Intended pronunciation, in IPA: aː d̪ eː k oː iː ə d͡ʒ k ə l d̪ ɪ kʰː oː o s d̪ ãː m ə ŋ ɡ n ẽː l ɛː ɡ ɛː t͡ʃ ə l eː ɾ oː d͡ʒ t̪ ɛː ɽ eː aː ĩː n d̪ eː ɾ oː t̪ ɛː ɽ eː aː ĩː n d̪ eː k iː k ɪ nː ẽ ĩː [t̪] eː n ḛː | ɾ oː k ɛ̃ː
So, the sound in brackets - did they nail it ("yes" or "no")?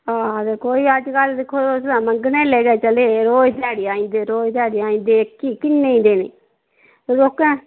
no